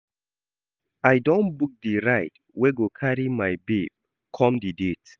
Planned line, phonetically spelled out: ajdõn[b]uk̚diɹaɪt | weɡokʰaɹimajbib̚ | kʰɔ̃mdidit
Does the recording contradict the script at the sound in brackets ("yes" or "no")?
no